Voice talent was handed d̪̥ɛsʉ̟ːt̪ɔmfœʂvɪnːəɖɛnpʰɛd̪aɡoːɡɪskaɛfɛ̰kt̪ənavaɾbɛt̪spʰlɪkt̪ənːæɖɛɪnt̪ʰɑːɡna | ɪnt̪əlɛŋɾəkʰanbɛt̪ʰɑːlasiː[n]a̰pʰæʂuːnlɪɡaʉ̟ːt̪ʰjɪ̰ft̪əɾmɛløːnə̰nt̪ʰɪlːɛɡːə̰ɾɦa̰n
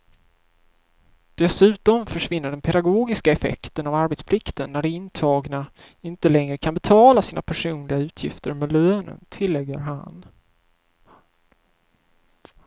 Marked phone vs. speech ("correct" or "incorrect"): correct